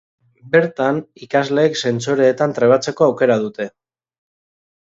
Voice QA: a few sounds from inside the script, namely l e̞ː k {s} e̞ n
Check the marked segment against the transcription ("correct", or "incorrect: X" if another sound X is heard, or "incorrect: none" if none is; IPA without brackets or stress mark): correct